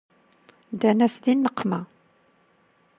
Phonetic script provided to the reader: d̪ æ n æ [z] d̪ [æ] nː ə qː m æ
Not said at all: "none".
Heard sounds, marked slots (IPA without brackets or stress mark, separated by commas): s, i